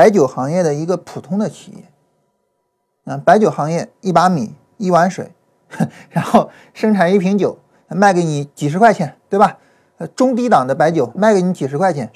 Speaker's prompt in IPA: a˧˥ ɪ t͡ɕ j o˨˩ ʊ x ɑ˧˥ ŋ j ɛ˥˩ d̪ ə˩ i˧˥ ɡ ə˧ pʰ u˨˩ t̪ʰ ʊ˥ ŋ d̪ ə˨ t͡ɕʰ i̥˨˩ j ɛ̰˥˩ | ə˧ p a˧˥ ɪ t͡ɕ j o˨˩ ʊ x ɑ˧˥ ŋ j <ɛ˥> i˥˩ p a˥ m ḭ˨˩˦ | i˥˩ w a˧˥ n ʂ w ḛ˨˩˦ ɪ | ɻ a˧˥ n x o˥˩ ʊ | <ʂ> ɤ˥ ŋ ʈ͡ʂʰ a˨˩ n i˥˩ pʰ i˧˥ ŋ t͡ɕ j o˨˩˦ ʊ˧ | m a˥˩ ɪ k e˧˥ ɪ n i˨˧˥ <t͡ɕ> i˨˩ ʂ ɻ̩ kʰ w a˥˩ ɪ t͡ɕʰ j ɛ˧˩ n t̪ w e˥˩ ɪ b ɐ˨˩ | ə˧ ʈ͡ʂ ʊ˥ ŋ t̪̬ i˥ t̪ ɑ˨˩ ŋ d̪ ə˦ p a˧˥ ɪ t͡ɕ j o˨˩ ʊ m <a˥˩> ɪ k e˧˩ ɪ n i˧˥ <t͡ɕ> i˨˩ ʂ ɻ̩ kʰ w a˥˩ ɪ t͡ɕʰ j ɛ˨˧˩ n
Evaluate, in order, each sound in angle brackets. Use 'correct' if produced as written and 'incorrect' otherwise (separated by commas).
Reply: incorrect, correct, correct, correct, correct